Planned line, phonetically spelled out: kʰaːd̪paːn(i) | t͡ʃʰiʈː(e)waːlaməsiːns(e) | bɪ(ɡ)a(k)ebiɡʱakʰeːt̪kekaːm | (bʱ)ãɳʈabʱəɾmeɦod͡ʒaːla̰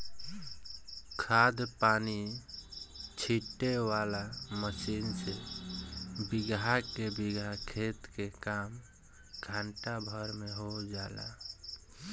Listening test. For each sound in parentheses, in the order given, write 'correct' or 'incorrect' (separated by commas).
correct, correct, correct, correct, correct, incorrect